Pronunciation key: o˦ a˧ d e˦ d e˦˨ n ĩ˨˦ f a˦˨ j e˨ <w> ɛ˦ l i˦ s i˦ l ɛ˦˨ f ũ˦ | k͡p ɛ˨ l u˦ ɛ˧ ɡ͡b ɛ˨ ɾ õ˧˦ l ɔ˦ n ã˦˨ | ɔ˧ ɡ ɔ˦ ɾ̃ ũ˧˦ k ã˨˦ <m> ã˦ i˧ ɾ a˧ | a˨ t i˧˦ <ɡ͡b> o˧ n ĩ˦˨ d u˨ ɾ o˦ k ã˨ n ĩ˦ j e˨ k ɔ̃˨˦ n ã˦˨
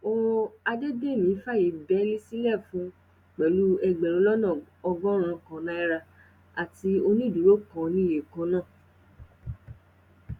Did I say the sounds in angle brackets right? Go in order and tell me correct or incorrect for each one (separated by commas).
incorrect, incorrect, incorrect